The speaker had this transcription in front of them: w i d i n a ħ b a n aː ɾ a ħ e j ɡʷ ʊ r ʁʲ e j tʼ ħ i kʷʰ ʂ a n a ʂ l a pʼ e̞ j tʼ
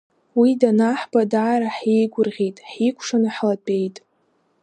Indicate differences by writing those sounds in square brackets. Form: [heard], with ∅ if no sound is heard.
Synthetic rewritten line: w i d [a] n a ħ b a [d] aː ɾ a ħ e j ɡʷ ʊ r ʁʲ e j tʼ ħ i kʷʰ ʂ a n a [ħ] l a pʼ e̞ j tʼ